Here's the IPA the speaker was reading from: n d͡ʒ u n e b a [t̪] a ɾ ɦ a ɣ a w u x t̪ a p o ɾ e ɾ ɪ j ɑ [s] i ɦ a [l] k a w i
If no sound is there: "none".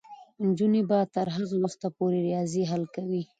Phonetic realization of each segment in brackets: t̪, z, l

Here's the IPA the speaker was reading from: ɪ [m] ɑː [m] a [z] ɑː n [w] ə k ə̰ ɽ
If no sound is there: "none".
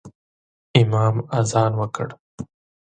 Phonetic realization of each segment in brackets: m, m, z, w

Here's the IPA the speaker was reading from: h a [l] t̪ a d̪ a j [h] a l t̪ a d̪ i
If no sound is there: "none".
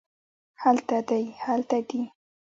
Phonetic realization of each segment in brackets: l, h

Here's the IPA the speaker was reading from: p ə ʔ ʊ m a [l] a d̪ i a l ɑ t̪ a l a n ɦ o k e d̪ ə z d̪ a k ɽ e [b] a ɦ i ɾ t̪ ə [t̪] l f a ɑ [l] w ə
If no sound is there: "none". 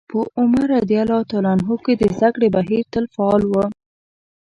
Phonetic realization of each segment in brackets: ɾ, b, none, l

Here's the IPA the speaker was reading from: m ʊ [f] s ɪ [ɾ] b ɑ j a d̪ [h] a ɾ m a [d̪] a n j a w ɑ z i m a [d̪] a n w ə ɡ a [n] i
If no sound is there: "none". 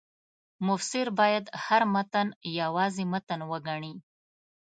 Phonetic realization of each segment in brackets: f, ɾ, h, t̪, t̪, ɳ

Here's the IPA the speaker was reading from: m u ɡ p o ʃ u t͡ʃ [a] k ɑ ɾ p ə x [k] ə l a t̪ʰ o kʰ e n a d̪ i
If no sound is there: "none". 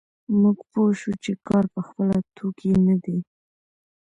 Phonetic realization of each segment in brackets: e, p

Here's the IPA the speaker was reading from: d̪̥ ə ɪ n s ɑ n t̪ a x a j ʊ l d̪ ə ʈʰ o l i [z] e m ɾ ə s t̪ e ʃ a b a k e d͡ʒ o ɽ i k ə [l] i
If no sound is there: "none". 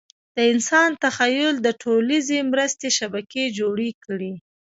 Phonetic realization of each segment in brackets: z, ɽ

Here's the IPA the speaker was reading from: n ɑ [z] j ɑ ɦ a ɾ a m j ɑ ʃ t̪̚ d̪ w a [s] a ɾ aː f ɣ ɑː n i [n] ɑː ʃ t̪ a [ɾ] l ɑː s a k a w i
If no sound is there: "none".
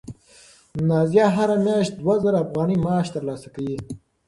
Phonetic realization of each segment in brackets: z, z, m, ɾ

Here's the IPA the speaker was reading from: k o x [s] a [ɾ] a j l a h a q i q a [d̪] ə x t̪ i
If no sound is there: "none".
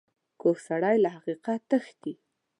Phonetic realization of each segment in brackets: s, ɽ, t̪

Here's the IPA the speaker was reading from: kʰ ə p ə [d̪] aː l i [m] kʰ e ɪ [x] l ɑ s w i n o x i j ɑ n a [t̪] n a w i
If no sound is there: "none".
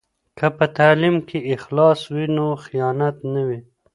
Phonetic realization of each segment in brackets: t̪, m, x, t̪

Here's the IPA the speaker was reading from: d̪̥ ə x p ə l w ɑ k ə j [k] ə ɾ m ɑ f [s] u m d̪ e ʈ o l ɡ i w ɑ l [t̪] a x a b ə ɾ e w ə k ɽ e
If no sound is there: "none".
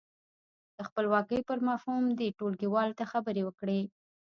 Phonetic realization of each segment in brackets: p, h, t̪

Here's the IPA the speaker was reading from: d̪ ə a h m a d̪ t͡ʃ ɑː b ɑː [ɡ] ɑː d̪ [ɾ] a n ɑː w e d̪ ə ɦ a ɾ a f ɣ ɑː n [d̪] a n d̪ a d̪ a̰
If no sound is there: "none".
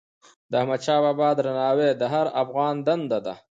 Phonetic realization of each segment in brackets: b, ɾ, d̪

